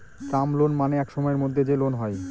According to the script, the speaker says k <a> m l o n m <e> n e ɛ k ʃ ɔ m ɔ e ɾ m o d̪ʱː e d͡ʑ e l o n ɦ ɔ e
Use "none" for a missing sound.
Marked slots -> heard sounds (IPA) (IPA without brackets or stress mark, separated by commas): a, a